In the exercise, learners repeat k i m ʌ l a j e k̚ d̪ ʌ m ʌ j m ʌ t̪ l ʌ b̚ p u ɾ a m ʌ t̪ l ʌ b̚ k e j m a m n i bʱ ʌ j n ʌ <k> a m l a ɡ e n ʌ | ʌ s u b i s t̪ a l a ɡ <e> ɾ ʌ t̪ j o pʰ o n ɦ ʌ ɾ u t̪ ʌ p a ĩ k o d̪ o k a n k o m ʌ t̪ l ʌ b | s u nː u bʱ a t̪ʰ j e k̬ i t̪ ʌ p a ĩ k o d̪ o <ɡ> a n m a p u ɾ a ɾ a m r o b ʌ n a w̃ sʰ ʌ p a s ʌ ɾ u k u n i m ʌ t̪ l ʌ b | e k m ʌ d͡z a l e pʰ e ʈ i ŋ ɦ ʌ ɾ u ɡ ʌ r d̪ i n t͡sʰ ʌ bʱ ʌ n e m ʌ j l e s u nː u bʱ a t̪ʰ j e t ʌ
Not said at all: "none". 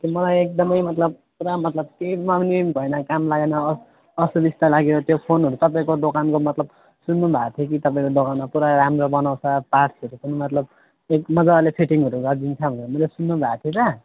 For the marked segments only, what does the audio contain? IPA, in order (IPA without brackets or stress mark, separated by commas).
k, e, k